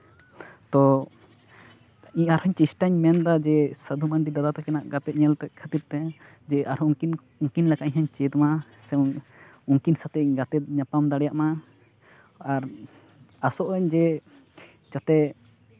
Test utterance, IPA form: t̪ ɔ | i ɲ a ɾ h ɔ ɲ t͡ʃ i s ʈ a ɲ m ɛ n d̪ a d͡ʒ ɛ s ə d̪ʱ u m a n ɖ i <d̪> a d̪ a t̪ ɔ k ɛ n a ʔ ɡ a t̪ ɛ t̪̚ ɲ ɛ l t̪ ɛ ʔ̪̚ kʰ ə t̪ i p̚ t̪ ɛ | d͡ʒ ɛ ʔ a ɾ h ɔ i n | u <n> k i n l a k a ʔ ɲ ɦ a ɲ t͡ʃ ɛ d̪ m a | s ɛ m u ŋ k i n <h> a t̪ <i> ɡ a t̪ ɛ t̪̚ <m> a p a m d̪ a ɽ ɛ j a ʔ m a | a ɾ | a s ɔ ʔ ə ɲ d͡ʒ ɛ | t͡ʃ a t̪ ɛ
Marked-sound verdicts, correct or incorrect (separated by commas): correct, incorrect, incorrect, incorrect, incorrect